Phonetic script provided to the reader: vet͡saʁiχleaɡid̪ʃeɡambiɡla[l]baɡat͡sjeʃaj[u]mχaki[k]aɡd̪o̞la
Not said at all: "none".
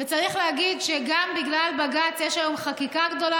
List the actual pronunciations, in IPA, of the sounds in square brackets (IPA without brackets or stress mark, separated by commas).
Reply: l, o, k